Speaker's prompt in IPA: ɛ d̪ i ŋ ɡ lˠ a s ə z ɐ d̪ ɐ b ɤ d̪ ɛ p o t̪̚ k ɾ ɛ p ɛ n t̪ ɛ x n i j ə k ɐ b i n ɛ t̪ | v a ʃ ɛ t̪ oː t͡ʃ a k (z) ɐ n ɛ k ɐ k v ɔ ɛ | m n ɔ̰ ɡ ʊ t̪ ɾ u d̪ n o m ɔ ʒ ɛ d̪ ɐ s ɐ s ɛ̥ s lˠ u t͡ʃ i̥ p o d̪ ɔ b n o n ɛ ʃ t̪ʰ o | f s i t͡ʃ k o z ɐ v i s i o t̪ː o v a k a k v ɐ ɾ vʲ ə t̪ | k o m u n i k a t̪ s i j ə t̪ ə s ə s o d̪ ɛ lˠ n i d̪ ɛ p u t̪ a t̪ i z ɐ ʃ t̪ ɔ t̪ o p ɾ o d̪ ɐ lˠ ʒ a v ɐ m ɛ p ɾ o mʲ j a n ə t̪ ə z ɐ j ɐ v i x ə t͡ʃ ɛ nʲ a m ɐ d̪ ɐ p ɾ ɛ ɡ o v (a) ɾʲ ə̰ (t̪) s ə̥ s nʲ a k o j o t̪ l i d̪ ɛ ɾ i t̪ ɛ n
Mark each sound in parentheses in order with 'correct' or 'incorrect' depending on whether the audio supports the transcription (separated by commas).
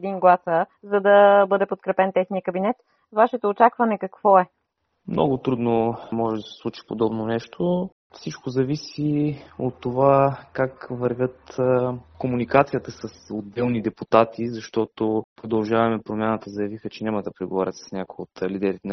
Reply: incorrect, correct, correct